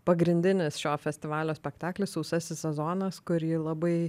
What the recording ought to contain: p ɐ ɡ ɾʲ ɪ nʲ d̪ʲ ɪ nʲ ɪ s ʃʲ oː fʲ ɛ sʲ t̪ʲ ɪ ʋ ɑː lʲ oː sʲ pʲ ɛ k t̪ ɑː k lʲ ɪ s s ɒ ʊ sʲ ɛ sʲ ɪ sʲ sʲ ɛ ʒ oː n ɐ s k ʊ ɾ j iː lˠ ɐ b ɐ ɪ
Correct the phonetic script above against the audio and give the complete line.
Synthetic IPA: p ɐ ɡ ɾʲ ɪ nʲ d̪ʲ ɪ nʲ ɪ s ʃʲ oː fʲ ɛ sʲ t̪ʲ ɪ ʋ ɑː lʲ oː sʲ pʲ ɛ k t̪ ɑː k lʲ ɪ s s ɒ ʊ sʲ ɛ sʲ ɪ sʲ sʲ ɛ z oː n ɐ s k ʊ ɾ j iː lˠ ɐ b ɐ ɪ